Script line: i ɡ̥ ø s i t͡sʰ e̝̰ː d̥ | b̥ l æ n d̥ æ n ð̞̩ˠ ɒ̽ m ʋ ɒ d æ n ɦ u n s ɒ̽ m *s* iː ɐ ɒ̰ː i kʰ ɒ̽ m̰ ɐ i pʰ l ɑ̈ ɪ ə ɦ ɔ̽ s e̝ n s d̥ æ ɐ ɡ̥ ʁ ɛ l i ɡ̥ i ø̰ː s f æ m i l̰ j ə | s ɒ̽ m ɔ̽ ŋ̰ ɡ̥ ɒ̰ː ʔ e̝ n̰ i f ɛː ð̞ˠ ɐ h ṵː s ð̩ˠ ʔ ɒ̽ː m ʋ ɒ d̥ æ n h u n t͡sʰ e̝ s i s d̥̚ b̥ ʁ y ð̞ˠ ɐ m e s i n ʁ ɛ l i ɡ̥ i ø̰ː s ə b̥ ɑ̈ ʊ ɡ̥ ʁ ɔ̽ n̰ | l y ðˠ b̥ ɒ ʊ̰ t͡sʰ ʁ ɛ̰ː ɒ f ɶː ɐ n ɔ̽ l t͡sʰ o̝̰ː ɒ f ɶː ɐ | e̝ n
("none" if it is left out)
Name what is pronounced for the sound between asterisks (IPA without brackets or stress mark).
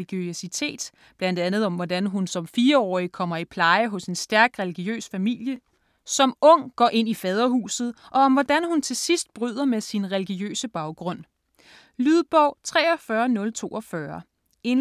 f